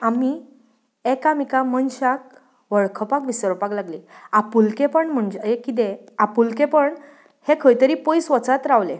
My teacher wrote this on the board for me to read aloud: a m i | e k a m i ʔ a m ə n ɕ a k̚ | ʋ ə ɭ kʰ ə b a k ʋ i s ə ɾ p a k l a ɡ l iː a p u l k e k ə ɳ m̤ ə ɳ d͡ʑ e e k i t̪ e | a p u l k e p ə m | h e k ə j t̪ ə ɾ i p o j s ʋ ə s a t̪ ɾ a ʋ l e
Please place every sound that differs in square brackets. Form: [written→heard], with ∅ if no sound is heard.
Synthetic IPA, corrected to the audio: a m i | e k a m i [ʔ→k] a m ə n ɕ a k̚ | ʋ ə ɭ kʰ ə [b→p] a k ʋ i s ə ɾ p a k l a ɡ l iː a p u l k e [k→p] ə ɳ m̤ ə ɳ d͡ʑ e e k i t̪ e | a p u l k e p ə [m→ɳ] | h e [k→kʰ] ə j t̪ ə ɾ i p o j s ʋ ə [s→t͡s] a t̪ ɾ a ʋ l e

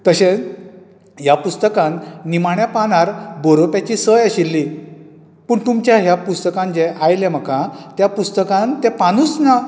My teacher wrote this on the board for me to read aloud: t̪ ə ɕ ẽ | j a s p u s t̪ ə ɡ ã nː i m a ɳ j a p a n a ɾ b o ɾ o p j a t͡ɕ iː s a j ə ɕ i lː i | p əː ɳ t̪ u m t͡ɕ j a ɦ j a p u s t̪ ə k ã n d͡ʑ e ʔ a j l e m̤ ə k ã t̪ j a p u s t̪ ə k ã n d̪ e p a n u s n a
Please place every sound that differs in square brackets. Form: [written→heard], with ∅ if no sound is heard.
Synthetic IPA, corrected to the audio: t̪ ə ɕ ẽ | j a [s→∅] p u s t̪ ə [ɡ→k] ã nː i m a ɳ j a p a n a ɾ b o ɾ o p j a t͡ɕ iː s [a→ə] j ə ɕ i lː i | p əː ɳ t̪ u m t͡ɕ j a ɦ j a p u s t̪ ə k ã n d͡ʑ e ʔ a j l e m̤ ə k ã t̪ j a p u s t̪ ə k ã n [d̪→t̪] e p a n u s n a

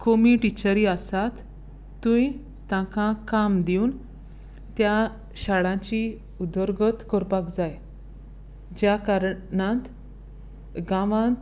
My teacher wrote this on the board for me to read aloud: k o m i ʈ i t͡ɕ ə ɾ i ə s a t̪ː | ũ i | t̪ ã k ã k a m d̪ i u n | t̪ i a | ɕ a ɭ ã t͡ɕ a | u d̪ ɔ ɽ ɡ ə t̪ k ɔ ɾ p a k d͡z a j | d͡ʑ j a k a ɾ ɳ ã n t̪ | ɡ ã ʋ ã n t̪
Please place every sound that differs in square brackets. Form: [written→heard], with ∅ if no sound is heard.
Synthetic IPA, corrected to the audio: k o m i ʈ i t͡ɕ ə ɾ i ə s a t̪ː | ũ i | t̪ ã k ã k a m d̪ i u n | t̪ [i→j] a | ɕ a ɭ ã t͡ɕ [a→i] | u d̪ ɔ [ɽ→ɾ] ɡ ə t̪ k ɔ ɾ p a k d͡z a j | d͡ʑ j a k a ɾ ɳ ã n t̪ | ɡ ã ʋ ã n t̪

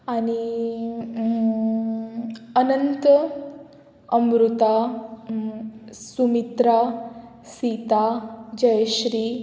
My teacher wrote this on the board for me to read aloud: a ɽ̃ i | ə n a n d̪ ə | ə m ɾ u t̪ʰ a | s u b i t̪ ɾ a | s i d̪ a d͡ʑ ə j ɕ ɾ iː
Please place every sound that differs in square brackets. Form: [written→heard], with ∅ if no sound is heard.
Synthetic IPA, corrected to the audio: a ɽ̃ i | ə n [a→ə] n [d̪→t̪] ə | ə m ɾ u [t̪ʰ→t̪] a | s u [b→m] i t̪ ɾ a | s i [d̪→t̪] a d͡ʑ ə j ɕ ɾ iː

